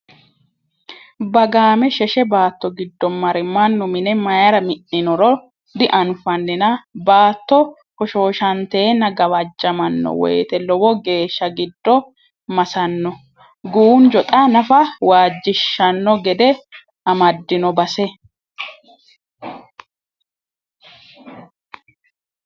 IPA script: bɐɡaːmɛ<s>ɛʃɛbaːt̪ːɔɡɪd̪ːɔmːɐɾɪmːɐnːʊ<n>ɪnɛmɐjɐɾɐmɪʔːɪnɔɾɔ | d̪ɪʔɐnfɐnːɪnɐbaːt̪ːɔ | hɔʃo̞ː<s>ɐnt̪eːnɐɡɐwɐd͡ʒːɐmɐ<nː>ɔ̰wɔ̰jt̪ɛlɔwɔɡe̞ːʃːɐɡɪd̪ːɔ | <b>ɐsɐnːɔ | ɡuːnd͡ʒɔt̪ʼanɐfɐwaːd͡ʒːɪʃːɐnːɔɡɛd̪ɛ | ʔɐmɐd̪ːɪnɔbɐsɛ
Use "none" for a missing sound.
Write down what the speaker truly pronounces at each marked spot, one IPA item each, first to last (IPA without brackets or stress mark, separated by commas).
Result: ʃ, m, ʃ, nː, m